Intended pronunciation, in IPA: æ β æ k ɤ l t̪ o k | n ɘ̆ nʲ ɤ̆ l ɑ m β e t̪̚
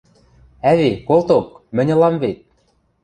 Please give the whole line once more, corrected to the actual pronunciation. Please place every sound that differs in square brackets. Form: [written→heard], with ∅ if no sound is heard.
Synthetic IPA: æ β [æ→e] k [ɤ→o] l t̪ o k | [n→m] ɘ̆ nʲ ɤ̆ l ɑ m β e t̪̚